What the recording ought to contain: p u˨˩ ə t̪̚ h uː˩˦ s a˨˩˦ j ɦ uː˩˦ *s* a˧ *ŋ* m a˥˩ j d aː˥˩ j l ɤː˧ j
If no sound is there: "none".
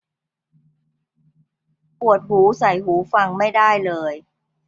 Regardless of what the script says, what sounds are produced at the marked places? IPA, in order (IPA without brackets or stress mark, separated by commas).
f, ŋ